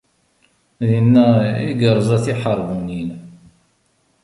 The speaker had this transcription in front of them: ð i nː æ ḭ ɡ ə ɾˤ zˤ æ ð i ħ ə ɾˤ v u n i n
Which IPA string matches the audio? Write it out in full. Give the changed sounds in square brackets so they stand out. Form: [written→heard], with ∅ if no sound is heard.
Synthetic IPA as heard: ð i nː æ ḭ ɡ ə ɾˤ zˤ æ [ð→θ] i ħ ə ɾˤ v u n i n